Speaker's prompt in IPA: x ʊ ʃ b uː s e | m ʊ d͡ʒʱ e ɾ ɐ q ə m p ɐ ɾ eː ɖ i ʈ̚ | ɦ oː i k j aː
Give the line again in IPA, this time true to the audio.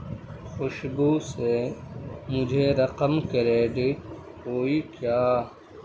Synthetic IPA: x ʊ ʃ b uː s e | m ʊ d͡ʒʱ e ɾ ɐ q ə m k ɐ ɾ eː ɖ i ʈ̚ | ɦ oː i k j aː